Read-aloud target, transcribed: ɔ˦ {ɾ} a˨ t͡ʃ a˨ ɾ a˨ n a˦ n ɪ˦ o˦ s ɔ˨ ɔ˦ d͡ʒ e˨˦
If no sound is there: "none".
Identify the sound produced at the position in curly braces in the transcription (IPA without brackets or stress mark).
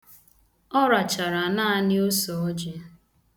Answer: ɾ